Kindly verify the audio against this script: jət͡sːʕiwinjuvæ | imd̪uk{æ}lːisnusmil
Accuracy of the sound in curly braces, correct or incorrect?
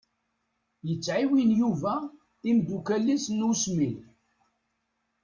correct